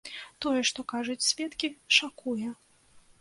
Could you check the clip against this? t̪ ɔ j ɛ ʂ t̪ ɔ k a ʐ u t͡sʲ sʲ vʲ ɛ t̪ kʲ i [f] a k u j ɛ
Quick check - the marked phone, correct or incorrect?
incorrect